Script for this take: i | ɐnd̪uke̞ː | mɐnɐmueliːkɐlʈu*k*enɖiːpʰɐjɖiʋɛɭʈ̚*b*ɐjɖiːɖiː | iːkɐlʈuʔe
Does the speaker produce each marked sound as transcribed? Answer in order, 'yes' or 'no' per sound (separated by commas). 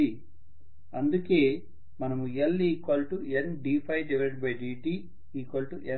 no, yes